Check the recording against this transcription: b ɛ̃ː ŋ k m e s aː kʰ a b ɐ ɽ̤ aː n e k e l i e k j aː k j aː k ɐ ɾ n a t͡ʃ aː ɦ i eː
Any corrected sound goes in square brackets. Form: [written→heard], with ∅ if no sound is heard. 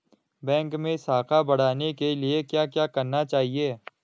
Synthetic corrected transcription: b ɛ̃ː ŋ k m [e→ẽ] s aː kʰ a b ɐ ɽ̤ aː n e k e l i e k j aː k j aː k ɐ ɾ n a t͡ʃ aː ɦ i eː